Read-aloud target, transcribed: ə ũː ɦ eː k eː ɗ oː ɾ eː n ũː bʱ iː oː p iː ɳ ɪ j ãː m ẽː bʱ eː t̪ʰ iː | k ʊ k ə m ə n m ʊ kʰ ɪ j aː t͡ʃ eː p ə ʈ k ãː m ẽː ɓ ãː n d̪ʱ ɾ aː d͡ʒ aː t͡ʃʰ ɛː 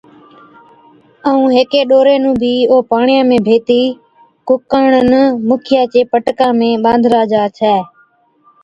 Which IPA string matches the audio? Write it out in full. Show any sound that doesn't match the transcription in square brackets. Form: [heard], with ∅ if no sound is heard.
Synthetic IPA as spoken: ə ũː ɦ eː k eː ɗ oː ɾ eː n ũː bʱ iː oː p [aː] ɳ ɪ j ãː m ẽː bʱ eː [t̪] iː | k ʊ k ə [ɳ] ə n m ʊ kʰ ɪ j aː t͡ʃ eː p ə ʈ k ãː m ẽː ɓ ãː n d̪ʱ ɾ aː d͡ʒ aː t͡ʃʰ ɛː